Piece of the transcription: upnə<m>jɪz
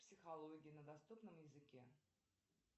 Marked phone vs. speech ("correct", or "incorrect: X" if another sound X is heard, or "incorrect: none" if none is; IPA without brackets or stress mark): correct